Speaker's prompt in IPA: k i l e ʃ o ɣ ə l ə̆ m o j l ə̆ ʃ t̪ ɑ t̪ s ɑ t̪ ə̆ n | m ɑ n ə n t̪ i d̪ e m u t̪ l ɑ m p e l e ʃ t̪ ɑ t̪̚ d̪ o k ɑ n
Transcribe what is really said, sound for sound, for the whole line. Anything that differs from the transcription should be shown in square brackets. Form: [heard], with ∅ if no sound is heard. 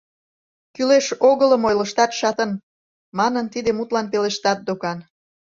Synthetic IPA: k [y] l e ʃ o ɣ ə l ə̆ m o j l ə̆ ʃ t̪ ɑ t̪ [ʃ] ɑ t̪ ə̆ n | m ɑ n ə n t̪ i d̪ e m u t̪ l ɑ [n] p e l e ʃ t̪ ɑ t̪̚ d̪ o k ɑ n